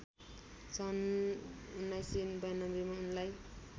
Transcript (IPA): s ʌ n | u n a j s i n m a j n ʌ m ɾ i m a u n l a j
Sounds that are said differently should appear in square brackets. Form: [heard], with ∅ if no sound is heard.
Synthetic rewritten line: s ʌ n | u n a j s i n [b] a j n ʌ m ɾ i m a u n l a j

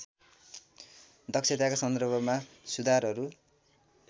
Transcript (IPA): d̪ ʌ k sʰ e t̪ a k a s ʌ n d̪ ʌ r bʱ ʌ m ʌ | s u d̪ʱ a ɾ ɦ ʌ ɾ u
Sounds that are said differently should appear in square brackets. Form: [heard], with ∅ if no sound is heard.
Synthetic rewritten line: d̪ ʌ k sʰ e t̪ a k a s ʌ n d̪ ʌ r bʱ ʌ m [a] | s u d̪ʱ a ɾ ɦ ʌ ɾ u

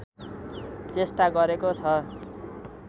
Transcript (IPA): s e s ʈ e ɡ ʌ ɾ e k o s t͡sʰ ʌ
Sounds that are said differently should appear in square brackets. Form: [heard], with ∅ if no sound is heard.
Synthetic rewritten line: [t͡s] e s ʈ [a] ɡ ʌ ɾ e k o [∅] t͡sʰ ʌ

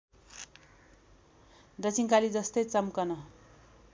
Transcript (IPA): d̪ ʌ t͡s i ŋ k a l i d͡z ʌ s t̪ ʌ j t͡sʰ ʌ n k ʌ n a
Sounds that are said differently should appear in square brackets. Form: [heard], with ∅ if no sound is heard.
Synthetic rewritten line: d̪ ʌ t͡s i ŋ k a l i d͡z ʌ s t̪ ʌ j [t͡s] ʌ [m] k ʌ n [ʌ]

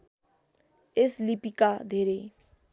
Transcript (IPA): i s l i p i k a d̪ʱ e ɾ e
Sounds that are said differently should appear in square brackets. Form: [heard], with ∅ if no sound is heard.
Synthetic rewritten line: [e] s l i p i k a d̪ʱ e ɾ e

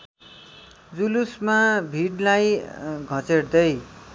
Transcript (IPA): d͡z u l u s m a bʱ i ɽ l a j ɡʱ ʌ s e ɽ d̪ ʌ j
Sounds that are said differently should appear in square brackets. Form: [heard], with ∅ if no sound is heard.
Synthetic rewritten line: d͡z u l u s m a bʱ i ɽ l a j ɡʱ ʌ [t͡s] e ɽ d̪ ʌ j

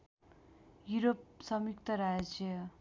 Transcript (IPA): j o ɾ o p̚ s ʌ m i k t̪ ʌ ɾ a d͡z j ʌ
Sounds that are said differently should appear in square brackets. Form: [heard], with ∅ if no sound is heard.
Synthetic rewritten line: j [u] ɾ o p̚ s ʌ m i k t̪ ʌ ɾ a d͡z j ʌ

